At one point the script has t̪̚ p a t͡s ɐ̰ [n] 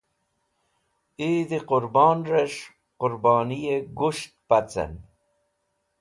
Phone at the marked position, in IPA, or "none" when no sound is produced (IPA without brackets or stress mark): n